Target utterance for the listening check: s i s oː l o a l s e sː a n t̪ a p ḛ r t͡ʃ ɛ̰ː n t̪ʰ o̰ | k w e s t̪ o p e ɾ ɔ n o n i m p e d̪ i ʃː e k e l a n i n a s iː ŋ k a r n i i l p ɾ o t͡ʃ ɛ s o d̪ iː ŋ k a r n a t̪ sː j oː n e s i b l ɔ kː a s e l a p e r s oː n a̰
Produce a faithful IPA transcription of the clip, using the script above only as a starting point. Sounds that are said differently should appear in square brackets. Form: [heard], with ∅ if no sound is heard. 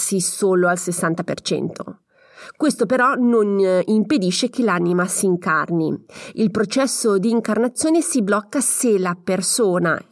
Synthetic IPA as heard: s i s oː l o a l s e sː a n t̪ a p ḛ r t͡ʃ [ɛ̰] n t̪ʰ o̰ | k w e s t̪ o p e ɾ ɔ n o n i m p e d̪ i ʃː e k e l a n i [m] a s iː ŋ k a r n i i l p ɾ o t͡ʃ ɛ [sː] o d̪ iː ŋ k a r n a t̪ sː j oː n e s i b l ɔ kː a s e l a p e r s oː n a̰